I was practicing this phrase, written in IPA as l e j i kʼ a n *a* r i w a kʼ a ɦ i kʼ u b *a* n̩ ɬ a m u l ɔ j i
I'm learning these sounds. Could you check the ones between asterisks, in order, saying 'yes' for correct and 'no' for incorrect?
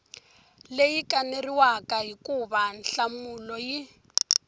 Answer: no, yes

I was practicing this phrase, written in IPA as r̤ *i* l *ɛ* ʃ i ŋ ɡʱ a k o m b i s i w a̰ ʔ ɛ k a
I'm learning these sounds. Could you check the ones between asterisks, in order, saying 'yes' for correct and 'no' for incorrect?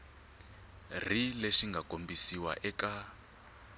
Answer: yes, no

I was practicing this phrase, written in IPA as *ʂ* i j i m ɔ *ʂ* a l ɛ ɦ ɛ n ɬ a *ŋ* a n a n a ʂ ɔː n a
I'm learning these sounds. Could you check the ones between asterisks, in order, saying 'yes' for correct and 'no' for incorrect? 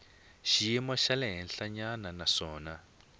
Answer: no, no, no

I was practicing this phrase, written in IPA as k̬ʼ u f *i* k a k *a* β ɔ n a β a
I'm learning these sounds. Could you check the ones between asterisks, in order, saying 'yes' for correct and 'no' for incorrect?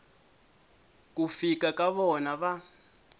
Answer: yes, yes

